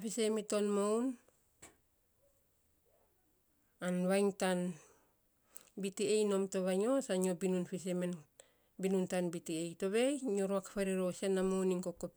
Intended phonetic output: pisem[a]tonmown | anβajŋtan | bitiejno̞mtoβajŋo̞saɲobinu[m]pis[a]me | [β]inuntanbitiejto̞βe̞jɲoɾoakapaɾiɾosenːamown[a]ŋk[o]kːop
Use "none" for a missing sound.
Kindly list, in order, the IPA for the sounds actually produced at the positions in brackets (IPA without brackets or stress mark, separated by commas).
i, n, e, b, i, o